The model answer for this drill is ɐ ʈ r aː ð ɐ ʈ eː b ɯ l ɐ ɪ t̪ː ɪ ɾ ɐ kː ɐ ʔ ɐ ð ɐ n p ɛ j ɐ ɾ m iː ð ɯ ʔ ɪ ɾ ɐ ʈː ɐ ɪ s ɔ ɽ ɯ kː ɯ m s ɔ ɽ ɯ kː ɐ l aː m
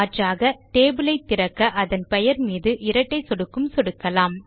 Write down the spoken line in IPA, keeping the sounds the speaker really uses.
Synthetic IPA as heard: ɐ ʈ r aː ɣ ɐ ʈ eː b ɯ l ɐ ɪ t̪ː ɪ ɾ ɐ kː ɐ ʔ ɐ ð ɐ n p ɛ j ɐ ɾ m iː ð ɯ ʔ ɪ ɾ ɐ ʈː ɐ ɪ s ɔ ɽ ɯ kː ɯ m s ɔ ɽ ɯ kː ɐ l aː m